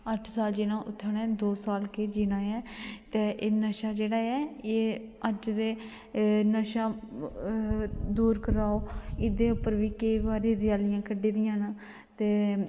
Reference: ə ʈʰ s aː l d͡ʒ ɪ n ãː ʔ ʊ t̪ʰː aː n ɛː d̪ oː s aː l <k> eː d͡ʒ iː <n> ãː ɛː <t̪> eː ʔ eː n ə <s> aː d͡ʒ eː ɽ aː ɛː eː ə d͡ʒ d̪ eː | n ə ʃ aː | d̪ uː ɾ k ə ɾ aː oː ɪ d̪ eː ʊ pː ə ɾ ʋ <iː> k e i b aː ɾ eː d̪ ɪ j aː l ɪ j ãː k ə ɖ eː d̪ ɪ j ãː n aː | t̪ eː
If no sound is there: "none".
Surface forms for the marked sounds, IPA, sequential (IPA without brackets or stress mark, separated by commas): k, n, t̪, ʃ, iː